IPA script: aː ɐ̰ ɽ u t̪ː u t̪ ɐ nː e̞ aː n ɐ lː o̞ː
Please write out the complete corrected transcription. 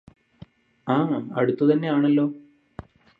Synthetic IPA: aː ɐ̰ ɽ u t̪ː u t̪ ɐ nː e̞ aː ɳ ɐ lː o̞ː